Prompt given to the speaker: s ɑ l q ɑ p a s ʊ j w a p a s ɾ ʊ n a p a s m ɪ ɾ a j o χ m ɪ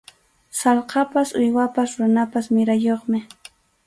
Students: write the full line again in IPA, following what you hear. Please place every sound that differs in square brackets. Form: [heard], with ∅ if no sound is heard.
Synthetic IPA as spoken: s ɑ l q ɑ p a s ʊ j w a p a s ɾ ʊ n a p a s m ɪ ɾ a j o χ m ɪ